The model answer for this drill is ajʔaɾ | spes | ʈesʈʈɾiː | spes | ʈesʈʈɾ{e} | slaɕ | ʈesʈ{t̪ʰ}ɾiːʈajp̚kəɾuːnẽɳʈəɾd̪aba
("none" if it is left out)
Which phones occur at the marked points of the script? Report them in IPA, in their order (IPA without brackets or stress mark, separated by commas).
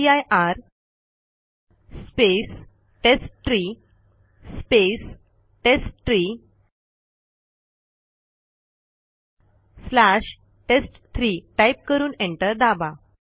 i, t̪ʰ